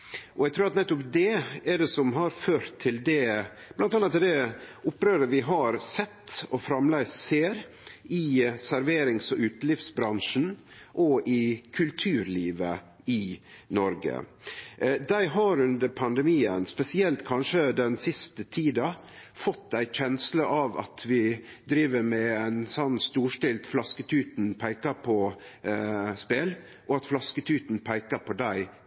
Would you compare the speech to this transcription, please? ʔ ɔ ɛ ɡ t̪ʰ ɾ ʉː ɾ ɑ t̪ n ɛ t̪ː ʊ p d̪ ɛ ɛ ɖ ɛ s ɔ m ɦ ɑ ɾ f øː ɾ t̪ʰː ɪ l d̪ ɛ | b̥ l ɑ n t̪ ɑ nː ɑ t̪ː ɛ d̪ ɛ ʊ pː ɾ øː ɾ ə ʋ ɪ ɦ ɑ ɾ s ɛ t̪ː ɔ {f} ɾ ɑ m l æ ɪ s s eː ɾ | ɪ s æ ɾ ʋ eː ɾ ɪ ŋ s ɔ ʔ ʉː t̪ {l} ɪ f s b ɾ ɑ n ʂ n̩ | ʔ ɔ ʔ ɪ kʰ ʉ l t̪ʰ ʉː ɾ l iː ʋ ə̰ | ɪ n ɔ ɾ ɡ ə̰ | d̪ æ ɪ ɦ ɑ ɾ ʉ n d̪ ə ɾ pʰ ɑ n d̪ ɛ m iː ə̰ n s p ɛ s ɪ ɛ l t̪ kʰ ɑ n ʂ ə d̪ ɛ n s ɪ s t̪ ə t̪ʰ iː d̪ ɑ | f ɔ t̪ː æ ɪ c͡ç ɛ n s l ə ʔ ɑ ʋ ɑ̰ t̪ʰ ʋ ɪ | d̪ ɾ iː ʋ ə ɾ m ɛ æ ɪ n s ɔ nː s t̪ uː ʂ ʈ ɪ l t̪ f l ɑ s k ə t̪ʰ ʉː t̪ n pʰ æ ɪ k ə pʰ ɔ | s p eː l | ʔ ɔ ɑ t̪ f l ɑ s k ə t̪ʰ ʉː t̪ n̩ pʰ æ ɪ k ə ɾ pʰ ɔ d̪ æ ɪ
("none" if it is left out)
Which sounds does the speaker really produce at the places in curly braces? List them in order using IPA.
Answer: f, l

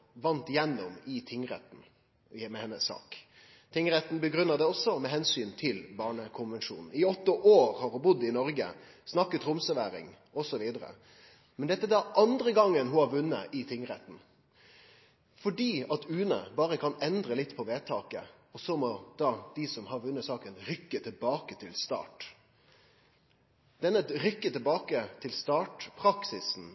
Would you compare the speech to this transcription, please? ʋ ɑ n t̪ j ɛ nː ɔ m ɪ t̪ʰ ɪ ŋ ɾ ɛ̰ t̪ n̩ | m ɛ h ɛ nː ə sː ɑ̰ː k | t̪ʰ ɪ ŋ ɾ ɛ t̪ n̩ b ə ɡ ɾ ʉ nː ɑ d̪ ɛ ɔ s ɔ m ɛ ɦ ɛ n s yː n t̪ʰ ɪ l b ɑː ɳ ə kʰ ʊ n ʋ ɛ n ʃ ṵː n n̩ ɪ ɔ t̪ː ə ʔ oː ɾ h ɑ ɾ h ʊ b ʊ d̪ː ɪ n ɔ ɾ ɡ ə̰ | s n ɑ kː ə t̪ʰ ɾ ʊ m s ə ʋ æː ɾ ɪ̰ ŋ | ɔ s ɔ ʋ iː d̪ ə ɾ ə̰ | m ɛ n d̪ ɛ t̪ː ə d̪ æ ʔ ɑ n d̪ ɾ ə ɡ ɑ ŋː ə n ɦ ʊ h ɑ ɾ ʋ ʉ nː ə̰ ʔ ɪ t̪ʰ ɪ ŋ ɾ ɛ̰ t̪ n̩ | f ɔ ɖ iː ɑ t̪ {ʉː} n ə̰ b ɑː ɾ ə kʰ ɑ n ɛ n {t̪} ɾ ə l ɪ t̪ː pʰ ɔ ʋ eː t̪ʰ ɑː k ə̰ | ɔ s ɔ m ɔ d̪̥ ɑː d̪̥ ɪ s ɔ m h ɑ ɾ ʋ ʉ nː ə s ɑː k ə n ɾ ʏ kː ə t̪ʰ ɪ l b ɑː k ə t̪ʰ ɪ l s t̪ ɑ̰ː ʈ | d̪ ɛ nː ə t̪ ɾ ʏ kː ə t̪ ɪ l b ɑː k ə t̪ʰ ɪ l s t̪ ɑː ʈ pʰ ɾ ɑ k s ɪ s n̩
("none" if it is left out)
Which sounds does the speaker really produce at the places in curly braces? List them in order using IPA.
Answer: ʉː, d̪

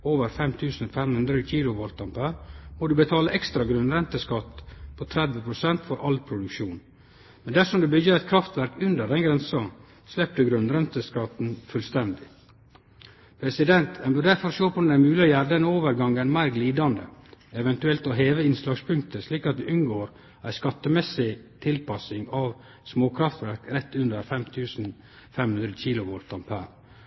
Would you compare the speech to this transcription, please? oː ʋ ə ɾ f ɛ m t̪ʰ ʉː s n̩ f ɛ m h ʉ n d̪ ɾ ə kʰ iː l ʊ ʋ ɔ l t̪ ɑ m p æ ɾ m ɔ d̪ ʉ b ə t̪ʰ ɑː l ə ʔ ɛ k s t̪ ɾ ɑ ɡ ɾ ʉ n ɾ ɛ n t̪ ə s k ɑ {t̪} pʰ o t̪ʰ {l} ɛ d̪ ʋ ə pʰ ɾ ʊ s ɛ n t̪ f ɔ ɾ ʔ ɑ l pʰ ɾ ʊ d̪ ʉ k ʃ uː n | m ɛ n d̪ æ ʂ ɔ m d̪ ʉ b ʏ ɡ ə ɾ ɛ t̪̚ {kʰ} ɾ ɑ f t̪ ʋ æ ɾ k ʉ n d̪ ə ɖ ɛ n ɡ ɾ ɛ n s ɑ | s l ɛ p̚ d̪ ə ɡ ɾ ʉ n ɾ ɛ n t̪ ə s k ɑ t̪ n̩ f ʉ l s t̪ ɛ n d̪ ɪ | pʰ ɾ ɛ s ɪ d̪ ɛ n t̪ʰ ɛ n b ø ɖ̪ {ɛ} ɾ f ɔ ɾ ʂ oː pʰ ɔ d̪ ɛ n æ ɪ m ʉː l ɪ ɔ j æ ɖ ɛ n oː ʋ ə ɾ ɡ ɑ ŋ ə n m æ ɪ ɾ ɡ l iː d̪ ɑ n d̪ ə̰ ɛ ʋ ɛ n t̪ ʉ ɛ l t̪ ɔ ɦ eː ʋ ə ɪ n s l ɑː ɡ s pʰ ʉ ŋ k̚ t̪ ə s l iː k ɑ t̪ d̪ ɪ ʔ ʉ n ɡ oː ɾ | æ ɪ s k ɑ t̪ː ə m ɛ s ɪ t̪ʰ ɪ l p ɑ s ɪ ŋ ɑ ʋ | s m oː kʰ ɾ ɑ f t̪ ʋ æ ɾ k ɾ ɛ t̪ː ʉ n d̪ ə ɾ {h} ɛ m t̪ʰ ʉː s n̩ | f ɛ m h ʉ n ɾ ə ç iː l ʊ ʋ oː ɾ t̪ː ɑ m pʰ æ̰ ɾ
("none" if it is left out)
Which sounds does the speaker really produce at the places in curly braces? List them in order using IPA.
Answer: t̪, ɾ, kʰ, æ, f

